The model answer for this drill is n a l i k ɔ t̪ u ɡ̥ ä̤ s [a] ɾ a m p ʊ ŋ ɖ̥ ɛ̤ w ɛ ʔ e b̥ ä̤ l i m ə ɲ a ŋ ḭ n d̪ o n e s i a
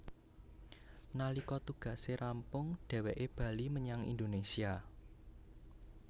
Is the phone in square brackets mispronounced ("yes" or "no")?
yes